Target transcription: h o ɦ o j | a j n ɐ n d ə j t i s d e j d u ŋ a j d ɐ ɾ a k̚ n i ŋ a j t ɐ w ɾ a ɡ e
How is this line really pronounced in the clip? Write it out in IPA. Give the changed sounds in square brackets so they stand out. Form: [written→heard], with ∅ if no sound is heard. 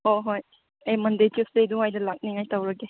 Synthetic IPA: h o ɦ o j | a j [n→m] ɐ n d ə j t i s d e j d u ŋ a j d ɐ [ɾ→l] a k̚ n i ŋ a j t [ɐ→a] w ɾ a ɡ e